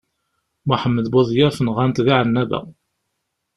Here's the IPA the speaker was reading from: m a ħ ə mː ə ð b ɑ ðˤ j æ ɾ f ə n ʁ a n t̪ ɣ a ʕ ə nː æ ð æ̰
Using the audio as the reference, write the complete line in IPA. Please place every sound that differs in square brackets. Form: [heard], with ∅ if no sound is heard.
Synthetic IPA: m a ħ ə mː ə ð b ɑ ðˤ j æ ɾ f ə n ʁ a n t̪ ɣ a ʕ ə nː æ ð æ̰